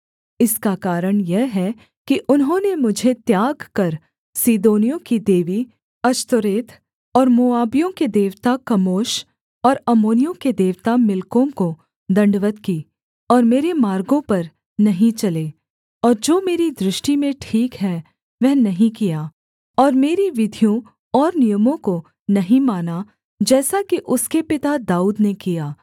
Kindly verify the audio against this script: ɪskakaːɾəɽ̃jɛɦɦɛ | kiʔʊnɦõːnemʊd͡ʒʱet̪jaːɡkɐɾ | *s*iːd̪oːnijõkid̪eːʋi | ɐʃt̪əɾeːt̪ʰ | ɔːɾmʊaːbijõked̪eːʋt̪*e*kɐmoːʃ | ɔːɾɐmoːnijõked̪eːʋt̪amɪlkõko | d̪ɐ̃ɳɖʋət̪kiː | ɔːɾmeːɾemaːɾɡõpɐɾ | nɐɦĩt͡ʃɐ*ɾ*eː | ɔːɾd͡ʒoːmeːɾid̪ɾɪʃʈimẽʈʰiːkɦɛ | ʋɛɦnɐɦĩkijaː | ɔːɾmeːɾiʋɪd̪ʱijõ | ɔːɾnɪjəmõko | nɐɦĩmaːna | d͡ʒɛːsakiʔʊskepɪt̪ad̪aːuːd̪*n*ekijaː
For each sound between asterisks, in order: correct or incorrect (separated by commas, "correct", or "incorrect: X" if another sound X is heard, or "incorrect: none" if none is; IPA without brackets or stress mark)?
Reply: correct, incorrect: a, incorrect: l, correct